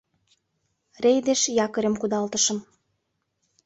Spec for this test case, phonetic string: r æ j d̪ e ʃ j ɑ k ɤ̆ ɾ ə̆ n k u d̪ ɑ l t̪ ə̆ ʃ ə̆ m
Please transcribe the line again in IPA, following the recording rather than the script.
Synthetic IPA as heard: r e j d̪ e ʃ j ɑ k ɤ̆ ɾ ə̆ m k u d̪ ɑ l t̪ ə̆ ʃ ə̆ m